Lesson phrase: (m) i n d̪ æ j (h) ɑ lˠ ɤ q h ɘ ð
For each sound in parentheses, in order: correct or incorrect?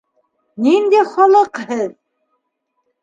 incorrect: n, incorrect: χ

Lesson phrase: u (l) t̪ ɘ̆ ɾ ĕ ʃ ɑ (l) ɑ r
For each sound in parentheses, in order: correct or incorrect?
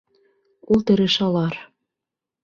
correct, correct

